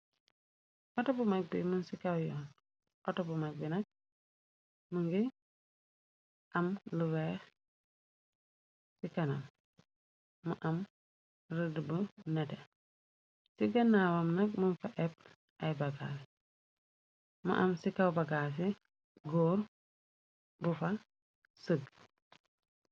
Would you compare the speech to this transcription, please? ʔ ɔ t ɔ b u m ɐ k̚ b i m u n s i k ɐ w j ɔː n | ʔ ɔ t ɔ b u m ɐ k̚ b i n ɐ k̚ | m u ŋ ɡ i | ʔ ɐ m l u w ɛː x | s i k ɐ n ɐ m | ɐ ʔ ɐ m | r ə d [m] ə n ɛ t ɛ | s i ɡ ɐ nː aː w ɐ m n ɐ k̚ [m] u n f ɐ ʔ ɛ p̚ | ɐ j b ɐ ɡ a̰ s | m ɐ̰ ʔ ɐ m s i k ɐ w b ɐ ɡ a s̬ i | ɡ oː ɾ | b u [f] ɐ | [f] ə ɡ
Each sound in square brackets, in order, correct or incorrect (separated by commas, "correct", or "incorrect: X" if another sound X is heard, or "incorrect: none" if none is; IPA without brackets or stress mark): incorrect: b, correct, correct, incorrect: s